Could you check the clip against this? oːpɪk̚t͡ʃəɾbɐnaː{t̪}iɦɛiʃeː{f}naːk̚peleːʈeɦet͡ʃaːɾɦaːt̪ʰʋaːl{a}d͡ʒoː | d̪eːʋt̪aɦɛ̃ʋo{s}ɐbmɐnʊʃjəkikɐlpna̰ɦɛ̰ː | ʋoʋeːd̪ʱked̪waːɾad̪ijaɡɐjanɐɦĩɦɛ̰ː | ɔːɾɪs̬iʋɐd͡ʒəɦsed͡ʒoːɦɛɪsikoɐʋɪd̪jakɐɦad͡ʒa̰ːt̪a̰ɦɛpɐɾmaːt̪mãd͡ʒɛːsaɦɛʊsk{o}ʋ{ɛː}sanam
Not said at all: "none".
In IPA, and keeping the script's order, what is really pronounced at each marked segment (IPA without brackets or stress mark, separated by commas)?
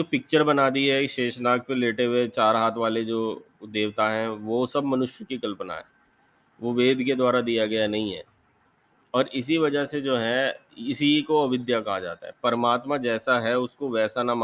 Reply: d̪, ʃ, e, s, o, ɛː